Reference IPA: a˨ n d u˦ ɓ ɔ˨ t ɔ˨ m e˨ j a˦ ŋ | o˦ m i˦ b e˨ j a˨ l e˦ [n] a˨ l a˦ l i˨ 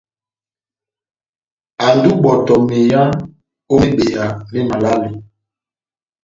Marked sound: incorrect: m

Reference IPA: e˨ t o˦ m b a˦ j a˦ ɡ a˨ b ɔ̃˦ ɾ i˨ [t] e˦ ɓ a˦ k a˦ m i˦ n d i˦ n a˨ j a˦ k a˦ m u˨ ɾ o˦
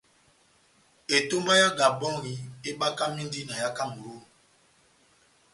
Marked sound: incorrect: none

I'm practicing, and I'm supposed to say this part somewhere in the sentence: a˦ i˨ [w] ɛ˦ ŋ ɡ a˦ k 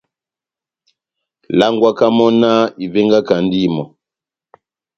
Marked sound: incorrect: v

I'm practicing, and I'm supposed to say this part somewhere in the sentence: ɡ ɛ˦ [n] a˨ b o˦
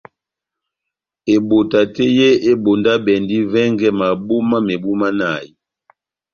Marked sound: incorrect: m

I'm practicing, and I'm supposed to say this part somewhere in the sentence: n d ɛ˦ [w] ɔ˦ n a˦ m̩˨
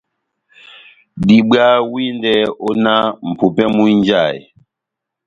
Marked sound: incorrect: none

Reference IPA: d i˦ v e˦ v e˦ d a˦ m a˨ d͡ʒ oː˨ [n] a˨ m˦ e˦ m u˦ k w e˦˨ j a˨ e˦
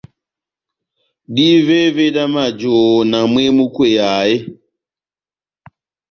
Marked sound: correct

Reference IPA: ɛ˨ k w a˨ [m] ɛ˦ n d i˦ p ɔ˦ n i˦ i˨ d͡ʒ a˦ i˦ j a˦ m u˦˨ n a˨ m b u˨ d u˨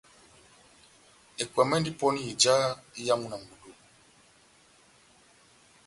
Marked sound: correct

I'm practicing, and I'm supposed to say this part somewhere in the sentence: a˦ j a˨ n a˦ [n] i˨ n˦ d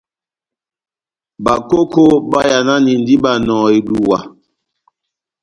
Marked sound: correct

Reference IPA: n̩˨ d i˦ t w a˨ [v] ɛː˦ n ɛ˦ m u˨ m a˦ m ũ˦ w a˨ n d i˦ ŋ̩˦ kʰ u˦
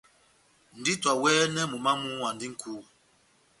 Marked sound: incorrect: w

